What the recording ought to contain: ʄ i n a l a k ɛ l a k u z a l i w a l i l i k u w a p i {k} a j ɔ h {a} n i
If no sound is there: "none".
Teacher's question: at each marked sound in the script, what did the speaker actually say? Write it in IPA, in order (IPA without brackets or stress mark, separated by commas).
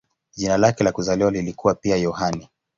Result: none, a